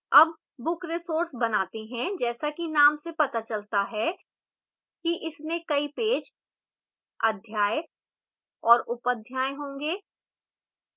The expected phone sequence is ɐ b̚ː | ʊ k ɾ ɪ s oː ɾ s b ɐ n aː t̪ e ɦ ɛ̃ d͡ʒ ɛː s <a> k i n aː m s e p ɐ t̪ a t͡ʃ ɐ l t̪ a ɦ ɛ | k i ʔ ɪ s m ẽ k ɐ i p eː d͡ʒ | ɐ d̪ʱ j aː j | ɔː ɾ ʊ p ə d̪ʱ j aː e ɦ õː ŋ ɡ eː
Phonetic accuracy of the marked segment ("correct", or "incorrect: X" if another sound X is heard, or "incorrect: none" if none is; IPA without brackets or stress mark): correct